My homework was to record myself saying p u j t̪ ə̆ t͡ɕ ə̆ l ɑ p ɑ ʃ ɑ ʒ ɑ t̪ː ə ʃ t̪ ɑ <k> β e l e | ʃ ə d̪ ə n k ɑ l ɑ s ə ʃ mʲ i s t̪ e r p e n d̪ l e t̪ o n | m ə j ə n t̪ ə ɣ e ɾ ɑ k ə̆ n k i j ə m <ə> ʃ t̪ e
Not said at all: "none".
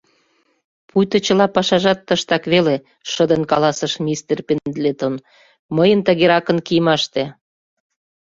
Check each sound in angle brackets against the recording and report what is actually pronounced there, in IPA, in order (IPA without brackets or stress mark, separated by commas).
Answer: k, ɑ